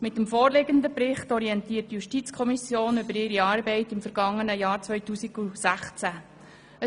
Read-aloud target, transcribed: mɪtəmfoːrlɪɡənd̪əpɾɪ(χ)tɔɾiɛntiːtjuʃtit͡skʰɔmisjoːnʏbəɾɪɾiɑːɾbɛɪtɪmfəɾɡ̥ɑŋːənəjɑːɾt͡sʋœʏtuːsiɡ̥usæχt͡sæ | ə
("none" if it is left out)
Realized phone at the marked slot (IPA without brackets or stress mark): χ